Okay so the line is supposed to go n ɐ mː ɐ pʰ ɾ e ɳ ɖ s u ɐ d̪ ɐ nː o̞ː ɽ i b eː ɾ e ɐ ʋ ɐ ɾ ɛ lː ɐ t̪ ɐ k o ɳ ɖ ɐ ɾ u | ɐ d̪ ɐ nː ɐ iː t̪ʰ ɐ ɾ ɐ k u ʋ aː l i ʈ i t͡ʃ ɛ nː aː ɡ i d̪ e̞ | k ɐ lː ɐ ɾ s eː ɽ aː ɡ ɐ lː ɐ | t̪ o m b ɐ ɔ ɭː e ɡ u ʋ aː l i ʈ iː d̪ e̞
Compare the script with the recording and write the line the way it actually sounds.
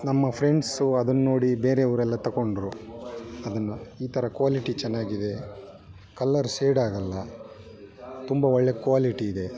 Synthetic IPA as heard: n ɐ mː ɐ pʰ ɾ e ɳ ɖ s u ɐ d̪ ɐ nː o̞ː ɽ i b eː ɾ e ɐ ʋ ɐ ɾ ɛ lː ɐ t̪ ɐ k o ɳ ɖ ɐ ɾ u | ɐ d̪ ɐ nː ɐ iː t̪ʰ ɐ ɾ ɐ k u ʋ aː l i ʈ i t͡ʃ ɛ nː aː ɡ i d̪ e̞ | k ɐ lː ɐ ɾ s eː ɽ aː ɡ ɐ lː ɐ | t̪ u m b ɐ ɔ ɭː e k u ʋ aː l i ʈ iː d̪ e̞